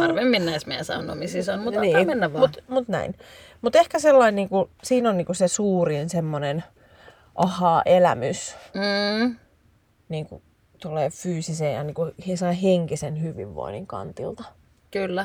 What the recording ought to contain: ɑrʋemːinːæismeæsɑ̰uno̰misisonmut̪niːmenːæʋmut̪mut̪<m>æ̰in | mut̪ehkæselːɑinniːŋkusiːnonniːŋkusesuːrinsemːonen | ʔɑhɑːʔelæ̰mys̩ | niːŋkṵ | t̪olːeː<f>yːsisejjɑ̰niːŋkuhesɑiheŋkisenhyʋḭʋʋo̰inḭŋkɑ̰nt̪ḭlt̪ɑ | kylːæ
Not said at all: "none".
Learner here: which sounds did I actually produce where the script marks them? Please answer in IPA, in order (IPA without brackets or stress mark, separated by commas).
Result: n, f